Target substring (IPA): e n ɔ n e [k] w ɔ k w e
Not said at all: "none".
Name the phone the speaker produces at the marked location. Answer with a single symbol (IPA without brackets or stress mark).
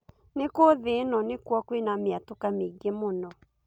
k